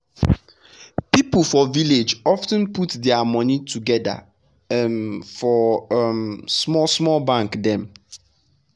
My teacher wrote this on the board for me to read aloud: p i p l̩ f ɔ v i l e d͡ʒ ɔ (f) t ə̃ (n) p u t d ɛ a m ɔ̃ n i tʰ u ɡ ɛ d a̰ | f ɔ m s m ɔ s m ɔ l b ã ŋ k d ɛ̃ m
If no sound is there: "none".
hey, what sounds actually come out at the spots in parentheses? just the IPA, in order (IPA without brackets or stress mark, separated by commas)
f, n